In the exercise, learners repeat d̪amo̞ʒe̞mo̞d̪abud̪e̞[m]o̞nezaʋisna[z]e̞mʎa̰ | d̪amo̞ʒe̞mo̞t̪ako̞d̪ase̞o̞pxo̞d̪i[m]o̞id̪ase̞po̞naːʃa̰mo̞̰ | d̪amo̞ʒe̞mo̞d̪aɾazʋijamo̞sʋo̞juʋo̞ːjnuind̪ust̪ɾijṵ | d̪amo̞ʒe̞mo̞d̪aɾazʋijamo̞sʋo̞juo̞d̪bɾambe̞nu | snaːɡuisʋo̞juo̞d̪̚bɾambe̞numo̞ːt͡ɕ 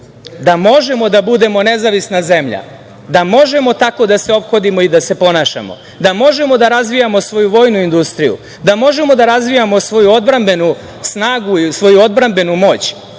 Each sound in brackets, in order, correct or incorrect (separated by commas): correct, correct, correct